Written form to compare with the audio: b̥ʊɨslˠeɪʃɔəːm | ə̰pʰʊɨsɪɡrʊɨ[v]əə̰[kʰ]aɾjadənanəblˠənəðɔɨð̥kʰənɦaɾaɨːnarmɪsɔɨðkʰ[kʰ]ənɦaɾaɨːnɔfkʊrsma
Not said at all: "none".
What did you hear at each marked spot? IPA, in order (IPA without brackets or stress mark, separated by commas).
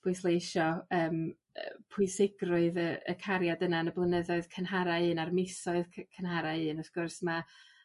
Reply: ð, kʰ, kʰ